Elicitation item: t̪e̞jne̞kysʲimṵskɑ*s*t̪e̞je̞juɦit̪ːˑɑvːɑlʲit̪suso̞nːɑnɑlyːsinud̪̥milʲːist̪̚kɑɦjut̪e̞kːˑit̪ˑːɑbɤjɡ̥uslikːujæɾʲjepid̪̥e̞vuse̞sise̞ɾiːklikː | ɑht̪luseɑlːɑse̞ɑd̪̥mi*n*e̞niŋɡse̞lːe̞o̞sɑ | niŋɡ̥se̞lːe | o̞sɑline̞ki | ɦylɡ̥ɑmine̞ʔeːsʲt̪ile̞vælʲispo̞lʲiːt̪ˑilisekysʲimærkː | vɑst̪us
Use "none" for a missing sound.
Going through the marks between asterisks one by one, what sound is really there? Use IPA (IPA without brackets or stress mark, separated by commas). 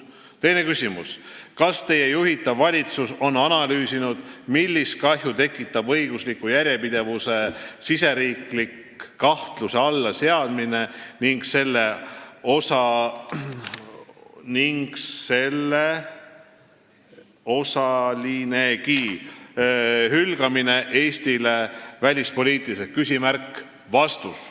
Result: s, n